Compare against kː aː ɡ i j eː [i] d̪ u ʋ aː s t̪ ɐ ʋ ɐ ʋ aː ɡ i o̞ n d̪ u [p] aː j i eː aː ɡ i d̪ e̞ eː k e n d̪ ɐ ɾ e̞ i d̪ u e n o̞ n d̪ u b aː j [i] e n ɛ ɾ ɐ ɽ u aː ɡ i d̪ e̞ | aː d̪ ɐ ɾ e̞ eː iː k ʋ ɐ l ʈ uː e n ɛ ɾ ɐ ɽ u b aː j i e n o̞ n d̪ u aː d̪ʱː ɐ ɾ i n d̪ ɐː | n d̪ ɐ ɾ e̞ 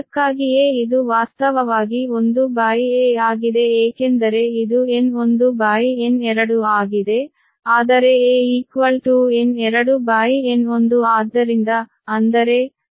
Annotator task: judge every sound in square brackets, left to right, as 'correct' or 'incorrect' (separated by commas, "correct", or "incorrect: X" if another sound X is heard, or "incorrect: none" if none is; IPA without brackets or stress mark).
correct, incorrect: b, correct